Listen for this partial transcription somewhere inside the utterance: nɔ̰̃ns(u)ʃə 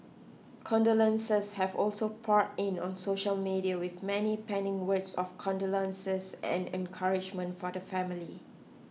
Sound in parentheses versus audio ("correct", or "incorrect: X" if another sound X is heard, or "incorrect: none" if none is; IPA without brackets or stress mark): incorrect: o